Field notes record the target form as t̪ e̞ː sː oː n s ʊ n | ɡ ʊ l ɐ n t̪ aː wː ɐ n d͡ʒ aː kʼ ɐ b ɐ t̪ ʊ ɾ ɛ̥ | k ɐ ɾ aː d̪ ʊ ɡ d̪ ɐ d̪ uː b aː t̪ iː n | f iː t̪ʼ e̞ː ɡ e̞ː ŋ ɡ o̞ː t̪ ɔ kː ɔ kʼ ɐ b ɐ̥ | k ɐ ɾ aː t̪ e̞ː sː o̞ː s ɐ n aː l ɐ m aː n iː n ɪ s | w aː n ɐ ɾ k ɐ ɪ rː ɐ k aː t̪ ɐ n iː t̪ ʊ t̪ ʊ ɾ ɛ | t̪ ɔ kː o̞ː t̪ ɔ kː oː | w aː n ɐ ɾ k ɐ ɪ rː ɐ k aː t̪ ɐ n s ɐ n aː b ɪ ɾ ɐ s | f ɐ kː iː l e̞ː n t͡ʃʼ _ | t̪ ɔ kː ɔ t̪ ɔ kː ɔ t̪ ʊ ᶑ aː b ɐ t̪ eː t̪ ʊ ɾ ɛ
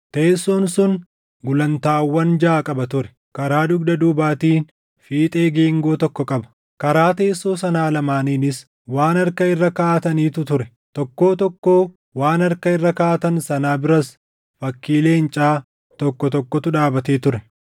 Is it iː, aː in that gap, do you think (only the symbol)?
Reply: aː